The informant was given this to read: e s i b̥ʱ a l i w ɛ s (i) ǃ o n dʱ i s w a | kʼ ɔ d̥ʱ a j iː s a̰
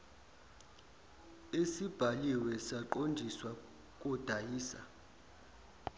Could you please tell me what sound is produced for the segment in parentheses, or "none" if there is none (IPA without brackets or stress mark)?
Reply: a